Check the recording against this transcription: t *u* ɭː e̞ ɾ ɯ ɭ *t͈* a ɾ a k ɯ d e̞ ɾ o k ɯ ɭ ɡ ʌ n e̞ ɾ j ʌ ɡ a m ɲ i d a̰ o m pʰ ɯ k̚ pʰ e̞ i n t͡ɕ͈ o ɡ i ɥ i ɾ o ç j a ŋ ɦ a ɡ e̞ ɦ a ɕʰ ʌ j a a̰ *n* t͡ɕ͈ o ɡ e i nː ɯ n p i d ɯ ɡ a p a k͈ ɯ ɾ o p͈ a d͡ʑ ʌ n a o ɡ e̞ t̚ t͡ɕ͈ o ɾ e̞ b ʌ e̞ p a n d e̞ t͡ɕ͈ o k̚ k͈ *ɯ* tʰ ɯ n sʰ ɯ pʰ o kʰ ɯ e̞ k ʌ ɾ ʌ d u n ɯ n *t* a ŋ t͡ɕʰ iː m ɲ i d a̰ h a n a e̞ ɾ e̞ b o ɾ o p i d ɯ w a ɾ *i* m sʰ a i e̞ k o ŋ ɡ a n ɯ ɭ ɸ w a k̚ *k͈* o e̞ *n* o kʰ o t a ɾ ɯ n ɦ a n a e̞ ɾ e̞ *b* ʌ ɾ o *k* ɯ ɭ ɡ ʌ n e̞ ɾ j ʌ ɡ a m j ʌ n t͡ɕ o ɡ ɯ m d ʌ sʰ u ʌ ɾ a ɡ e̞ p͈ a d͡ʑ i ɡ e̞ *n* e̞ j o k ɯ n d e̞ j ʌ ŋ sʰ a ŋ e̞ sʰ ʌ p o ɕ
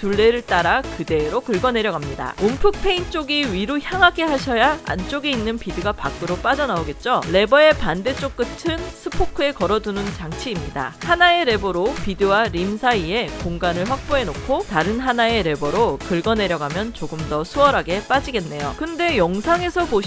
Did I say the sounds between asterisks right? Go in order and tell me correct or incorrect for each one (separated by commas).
correct, correct, correct, correct, incorrect, correct, incorrect, correct, correct, correct, incorrect